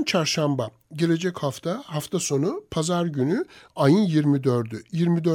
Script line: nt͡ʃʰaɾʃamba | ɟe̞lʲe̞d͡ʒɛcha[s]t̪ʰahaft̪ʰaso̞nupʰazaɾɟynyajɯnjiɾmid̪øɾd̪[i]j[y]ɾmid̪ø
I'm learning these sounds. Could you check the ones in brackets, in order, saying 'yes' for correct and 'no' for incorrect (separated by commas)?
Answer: no, no, no